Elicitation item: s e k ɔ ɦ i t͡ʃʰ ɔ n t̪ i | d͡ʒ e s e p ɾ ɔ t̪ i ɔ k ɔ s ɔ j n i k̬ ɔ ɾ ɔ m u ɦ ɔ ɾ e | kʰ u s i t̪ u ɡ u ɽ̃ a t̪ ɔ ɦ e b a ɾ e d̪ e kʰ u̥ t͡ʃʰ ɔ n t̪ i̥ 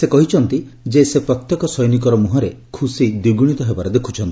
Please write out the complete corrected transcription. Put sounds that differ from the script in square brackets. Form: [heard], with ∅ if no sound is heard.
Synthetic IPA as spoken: s e k ɔ ɦ i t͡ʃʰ ɔ n t̪ i | d͡ʒ e s e p ɾ ɔ t̪ [j] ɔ k ɔ s ɔ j n i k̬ ɔ ɾ ɔ m u ɦ ɔ ɾ e | kʰ u s i [d̪] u ɡ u ɽ̃ [i] t̪ ɔ ɦ e b a ɾ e d̪ e kʰ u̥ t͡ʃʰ ɔ n t̪ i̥